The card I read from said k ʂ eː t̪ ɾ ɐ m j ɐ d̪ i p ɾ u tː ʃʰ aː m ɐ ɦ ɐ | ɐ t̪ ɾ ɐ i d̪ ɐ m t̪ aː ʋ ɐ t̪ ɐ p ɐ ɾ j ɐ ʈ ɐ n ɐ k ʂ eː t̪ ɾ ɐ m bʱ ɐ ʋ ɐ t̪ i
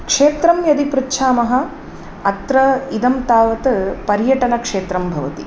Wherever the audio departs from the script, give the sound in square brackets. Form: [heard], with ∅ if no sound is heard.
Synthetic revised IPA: k ʂ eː t̪ ɾ ɐ m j ɐ d̪ i p ɾ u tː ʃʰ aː m ɐ ɦ ɐ | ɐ t̪ ɾ ɐ i d̪ ɐ m t̪ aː ʋ ɐ t̪ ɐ p ɐ ɾ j ɐ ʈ ɐ n ɐ k ʂ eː t̪ ɾ ɐ m bʱ ɐ ʋ ɐ t̪ i